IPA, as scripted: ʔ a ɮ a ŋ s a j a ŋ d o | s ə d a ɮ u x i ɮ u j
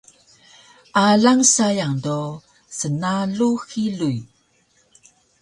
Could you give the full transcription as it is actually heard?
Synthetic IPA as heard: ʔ a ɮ a ŋ s a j a ŋ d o | s ə n a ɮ u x i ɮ u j

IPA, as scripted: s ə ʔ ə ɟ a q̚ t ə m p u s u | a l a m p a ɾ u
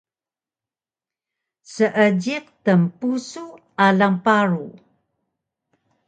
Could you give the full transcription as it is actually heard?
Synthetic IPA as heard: s ə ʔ ə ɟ i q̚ t ə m p u s u | a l a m p a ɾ u

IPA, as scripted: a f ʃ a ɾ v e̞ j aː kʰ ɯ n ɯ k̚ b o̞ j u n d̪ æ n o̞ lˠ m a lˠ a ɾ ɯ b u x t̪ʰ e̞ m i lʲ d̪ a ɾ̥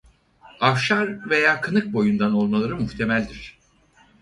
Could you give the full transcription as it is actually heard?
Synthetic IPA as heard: a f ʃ a ɾ v e̞ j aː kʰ ɯ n ɯ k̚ b o̞ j u n d̪ a n o̞ lˠ m a lˠ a ɾ ɯ m u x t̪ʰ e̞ m æ lʲ d̪ i ɾ̥

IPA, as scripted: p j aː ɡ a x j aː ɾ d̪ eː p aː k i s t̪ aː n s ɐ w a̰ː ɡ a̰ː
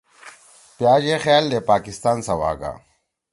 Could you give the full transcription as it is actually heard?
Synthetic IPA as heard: p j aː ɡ e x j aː l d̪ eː p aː k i s t̪ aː n s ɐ w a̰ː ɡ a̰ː

